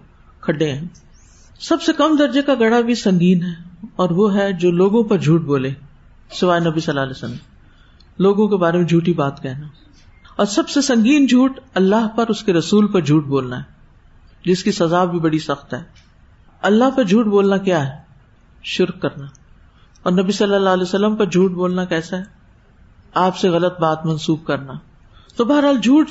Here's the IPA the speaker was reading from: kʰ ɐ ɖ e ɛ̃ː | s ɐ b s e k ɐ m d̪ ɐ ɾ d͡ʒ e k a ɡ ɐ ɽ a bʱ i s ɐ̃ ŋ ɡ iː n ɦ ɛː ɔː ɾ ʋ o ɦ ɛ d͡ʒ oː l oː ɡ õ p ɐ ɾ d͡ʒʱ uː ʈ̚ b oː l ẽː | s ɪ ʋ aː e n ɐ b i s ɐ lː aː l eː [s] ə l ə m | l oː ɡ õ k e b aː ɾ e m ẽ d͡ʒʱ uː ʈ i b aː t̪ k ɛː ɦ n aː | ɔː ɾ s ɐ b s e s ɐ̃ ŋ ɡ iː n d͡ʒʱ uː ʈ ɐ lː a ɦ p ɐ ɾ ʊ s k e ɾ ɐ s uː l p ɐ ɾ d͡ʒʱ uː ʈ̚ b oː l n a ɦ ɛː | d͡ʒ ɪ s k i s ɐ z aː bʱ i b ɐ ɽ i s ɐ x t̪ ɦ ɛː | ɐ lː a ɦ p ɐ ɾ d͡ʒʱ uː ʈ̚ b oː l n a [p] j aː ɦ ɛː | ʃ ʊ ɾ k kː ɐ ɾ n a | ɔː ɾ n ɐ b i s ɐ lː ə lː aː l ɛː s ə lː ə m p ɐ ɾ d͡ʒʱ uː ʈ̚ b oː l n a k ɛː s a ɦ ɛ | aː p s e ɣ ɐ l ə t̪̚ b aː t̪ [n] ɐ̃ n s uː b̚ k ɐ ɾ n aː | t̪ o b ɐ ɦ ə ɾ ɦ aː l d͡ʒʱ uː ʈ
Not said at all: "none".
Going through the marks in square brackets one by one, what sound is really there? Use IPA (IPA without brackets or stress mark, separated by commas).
s, k, m